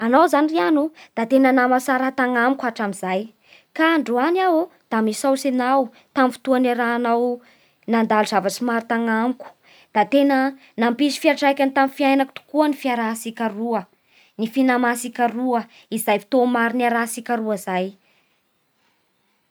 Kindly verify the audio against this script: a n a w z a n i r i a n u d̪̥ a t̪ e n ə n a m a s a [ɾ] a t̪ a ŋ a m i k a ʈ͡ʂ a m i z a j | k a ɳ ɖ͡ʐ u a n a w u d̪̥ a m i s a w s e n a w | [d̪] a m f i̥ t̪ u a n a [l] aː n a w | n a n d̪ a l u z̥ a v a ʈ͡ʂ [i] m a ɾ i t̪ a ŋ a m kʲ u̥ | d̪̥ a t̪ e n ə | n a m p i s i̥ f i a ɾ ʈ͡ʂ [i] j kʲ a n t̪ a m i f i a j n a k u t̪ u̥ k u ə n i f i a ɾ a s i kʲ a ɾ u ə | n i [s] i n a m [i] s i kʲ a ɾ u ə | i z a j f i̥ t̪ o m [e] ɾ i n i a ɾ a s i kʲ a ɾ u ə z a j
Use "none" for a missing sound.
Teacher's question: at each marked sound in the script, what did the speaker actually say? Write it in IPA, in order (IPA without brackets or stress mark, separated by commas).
ɾ, t̪, ɾ, i, a, f, a, a